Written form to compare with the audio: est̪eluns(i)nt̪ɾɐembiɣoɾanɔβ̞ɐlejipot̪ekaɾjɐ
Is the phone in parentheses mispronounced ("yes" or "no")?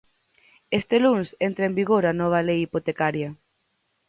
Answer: yes